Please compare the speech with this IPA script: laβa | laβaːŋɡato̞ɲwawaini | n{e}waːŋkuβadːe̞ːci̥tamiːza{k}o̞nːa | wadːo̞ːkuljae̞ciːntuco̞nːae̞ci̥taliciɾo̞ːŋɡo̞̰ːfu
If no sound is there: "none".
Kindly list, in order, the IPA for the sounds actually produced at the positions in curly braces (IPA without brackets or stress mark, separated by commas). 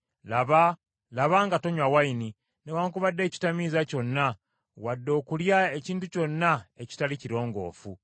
e, c